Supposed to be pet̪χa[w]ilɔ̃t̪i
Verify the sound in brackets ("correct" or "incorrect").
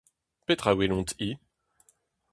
correct